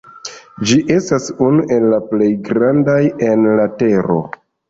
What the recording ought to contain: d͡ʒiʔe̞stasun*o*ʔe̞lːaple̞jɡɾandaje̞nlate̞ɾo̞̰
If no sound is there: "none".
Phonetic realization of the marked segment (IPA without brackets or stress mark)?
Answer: u